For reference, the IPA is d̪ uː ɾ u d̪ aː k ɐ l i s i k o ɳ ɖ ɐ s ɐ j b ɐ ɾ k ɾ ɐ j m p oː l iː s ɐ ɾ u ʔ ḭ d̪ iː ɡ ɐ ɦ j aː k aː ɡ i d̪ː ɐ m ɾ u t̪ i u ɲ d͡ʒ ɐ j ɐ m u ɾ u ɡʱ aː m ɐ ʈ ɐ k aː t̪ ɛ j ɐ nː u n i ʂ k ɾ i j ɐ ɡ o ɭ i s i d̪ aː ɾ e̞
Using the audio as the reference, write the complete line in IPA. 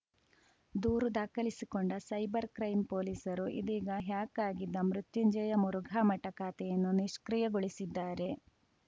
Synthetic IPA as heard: d̪ uː ɾ u d̪ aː k ɐ l i s i k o ɳ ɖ ɐ s ɐ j b ɐ ɾ k ɾ ɐ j m p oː l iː s ɐ ɾ u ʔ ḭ d̪ iː ɡ ɐ ɦ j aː k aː ɡ i d̪ː ɐ m ɾ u t̪ j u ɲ d͡ʒ ɐ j ɐ m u ɾ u ɡʱ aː m ɐ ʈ ɐ k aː t̪ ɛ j ɐ nː u n i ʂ k ɾ i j ɐ ɡ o ɭ i s i d̪ː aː ɾ e̞

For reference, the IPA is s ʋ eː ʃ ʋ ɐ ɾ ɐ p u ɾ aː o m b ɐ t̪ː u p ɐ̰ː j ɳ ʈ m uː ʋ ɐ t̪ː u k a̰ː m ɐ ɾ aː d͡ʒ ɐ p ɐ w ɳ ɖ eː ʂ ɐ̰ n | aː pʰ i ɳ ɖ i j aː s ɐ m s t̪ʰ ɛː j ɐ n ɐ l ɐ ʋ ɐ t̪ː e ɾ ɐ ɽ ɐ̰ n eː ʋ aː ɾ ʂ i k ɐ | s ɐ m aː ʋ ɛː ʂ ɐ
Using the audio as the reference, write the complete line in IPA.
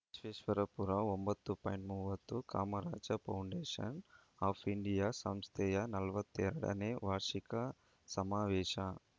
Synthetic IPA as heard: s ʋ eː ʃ ʋ ɐ ɾ ɐ p u ɾ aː o m b ɐ t̪ː u p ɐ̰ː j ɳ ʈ m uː ʋ ɐ t̪ː u k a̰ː m ɐ ɾ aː d͡ʒ ɐ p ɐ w ɳ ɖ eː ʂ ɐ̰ n | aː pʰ i ɳ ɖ i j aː s ɐ m s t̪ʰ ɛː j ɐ n ɐ l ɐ ʋ ɐ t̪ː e ɾ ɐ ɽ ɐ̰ n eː ʋ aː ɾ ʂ i k ɐ | s ɐ m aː ʋ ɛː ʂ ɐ

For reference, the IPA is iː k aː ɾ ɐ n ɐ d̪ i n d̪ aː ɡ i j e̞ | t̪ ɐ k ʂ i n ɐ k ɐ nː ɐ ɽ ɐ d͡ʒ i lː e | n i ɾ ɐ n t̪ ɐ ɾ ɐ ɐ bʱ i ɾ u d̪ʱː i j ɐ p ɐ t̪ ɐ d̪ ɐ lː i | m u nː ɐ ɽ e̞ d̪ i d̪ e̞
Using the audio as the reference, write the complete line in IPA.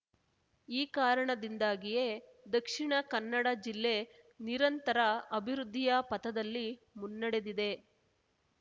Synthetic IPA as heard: iː k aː ɾ ɐ ɳ ɐ d̪ i n d̪ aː ɡ i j e̞ | d̪ ɐ k ʂ i ɳ ɐ k ɐ nː ɐ ɽ ɐ d͡ʒ i lː e | n i ɾ ɐ n t̪ ɐ ɾ ɐ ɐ bʱ i ɾ u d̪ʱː i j ɐ p ɐ t̪ ɐ d̪ ɐ lː i | m u nː ɐ ɽ e̞ d̪ i d̪ e̞

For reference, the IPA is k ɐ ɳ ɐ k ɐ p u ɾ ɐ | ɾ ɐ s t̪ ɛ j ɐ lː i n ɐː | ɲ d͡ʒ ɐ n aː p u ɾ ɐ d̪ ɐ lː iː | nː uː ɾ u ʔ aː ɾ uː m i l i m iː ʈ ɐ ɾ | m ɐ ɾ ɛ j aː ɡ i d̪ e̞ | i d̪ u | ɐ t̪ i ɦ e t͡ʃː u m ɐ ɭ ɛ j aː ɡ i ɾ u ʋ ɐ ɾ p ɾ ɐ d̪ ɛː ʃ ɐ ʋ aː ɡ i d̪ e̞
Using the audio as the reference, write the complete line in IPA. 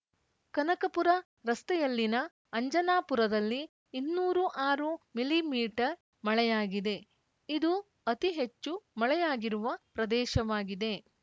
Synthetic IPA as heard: k ɐ n ɐ k ɐ p u ɾ ɐ | ɾ ɐ s t̪ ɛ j ɐ lː i n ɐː | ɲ d͡ʒ ɐ n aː p u ɾ ɐ d̪ ɐ lː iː | nː uː ɾ u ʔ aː ɾ u m i l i m iː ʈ ɐ ɾ | m ɐ ɭ ɛ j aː ɡ i d̪ e̞ | i d̪ u | ɐ t̪ i ɦ e t͡ʃː u m ɐ ɭ ɛ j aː ɡ i ɾ u ʋ ɐ p ɾ ɐ d̪ ɛː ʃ ɐ ʋ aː ɡ i d̪ e̞

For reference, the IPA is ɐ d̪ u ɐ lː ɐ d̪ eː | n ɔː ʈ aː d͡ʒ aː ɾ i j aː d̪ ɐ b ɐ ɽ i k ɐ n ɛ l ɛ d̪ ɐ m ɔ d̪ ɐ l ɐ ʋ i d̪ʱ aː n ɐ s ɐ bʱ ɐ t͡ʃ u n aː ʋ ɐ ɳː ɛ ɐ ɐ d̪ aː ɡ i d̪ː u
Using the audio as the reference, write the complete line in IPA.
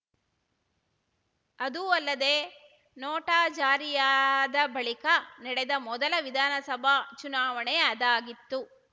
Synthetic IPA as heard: ɐ d̪ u ɐ lː ɐ d̪ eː | n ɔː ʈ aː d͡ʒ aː ɾ i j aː d̪ ɐ b ɐ ɭ i k ɐ n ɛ ɽ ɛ d̪ ɐ m ɔ d̪ ɐ l ɐ ʋ i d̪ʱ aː n ɐ s ɐ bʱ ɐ t͡ʃ u n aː ʋ ɐ ɳ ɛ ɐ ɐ d̪ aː ɡ i t̪ː u

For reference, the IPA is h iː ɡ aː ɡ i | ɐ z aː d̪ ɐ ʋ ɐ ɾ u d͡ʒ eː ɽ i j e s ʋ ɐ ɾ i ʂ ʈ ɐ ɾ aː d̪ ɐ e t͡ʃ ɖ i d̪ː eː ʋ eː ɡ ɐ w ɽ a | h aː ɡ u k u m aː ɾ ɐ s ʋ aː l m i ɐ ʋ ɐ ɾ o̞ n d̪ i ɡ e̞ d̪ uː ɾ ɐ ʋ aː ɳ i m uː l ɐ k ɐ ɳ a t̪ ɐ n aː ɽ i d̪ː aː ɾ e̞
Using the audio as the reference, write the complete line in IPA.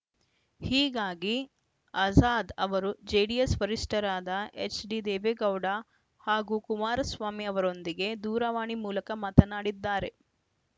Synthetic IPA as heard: h iː ɡ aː ɡ i | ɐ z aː d̪ ɐ ʋ ɐ ɾ u d͡ʒ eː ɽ i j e s ʋ ɐ ɾ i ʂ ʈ ɐ ɾ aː d̪ ɐ e t͡ʃ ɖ i d̪ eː ʋ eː ɡ ɐ w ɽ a | h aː ɡ u k u m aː ɾ ɐ s ʋ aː m i ɐ ʋ ɐ ɾ o̞ n d̪ i ɡ e̞ d̪ uː ɾ ɐ ʋ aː ɳ i m uː l ɐ k ɐ m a t̪ ɐ n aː ɽ i d̪ː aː ɾ e̞

